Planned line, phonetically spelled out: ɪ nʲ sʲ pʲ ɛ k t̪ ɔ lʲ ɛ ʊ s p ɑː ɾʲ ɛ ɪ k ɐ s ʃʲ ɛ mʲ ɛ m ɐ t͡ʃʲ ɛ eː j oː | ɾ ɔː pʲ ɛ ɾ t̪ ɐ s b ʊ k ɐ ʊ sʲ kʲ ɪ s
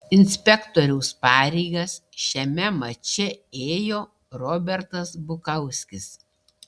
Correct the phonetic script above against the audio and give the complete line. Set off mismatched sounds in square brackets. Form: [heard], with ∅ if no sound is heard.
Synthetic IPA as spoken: ɪ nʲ sʲ pʲ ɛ k t̪ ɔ [ɾʲ] ɛ ʊ s p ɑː ɾʲ ɛ ɪ [ɡ] ɐ s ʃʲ ɛ mʲ ɛ m ɐ t͡ʃʲ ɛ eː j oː | ɾ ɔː [bʲ] ɛ ɾ t̪ ɐ s b ʊ k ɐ ʊ sʲ kʲ ɪ s